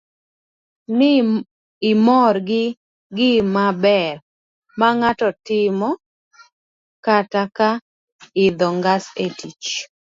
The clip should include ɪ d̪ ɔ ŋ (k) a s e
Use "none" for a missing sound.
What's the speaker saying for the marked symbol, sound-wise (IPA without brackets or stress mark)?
ɡ